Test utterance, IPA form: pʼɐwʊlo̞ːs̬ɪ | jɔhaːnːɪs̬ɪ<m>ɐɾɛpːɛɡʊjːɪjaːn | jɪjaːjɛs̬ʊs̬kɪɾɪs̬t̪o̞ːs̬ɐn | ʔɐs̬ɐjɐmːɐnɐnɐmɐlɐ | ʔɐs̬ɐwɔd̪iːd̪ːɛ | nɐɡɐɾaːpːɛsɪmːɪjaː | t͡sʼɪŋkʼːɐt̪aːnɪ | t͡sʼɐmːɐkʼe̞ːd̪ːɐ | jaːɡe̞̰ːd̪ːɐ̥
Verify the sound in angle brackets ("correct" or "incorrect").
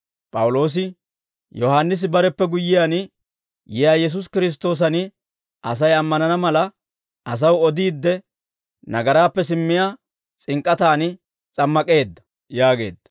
incorrect